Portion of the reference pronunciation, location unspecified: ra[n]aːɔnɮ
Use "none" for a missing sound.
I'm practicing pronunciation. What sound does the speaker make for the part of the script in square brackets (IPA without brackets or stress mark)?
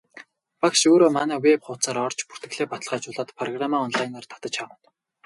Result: m